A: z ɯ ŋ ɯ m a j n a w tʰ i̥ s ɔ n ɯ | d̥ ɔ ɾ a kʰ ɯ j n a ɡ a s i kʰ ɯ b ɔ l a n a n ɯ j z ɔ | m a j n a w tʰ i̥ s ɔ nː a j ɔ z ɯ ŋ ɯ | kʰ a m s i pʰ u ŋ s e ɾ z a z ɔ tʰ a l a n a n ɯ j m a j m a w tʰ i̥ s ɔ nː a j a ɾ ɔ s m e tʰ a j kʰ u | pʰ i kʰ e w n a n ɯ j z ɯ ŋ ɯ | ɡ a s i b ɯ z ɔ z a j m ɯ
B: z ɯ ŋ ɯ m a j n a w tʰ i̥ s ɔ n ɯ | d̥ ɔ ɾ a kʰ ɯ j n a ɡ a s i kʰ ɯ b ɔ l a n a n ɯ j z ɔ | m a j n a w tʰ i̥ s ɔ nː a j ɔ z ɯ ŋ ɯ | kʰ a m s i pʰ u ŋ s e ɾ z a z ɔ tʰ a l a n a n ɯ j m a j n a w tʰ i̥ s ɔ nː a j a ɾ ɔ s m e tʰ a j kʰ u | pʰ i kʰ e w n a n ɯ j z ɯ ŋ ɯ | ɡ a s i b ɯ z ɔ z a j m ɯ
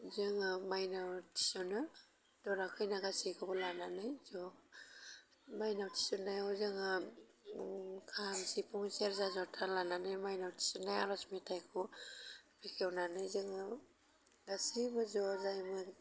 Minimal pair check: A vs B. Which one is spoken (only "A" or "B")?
B